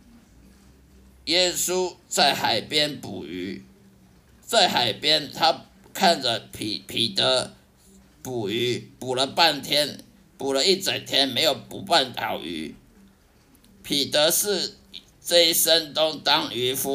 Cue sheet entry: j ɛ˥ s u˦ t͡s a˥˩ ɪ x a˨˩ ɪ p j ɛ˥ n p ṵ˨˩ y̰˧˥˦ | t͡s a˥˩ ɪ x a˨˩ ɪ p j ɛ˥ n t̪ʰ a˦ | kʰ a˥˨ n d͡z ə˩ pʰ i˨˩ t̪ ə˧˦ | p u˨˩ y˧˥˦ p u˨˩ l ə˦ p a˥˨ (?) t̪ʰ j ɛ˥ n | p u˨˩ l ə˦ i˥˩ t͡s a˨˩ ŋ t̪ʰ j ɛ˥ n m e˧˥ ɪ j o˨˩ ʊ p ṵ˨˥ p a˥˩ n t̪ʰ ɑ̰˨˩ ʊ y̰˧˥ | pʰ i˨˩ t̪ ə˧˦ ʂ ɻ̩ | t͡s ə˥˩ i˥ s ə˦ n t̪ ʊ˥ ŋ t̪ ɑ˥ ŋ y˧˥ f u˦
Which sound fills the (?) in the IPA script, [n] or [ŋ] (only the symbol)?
n